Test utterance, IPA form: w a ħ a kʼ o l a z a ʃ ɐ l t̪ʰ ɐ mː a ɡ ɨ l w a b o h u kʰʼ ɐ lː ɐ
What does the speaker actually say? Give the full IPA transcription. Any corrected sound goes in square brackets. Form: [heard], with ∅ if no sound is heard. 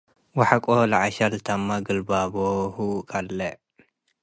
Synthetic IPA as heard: w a ħ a kʼ o l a [ʕ] a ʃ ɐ l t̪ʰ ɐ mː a ɡ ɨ l [b] a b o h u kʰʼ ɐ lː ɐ